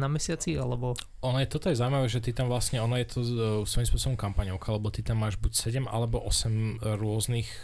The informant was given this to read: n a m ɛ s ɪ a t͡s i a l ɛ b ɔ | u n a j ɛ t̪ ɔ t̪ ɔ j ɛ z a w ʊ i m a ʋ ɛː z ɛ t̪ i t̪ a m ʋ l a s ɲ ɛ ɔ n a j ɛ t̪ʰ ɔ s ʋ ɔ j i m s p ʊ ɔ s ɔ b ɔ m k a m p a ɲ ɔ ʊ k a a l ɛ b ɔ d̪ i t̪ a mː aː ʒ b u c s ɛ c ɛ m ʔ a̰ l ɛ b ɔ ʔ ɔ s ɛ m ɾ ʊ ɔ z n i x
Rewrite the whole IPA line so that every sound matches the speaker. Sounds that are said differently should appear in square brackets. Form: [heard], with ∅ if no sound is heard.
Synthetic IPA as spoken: n a m ɛ s ɪ a t͡s i a l ɛ b ɔ | [ɔ] n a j ɛ t̪ ɔ t̪ ɔ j ɛ z a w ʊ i m a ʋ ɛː [ʒ] ɛ t̪ i t̪ a m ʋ l a s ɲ ɛ ɔ n a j ɛ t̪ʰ ɔ s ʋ ɔ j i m s p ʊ ɔ s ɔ b ɔ m k a m p a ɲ ɔ ʊ k a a l ɛ b ɔ [t̪] i t̪ a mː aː ʒ b u c s ɛ [ɟ] ɛ m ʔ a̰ l ɛ b ɔ ʔ ɔ s ɛ m ɾ ʊ ɔ z n i x